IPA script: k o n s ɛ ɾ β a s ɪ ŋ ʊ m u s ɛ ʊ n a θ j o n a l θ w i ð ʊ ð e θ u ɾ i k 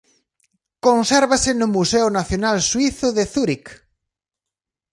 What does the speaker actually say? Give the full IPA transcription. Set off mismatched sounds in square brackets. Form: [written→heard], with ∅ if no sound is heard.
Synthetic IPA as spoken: k o n s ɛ ɾ β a s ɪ [ŋ→n] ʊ m u s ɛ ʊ n a θ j o n a l [θ→s] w i [ð→θ] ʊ ð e θ u ɾ i k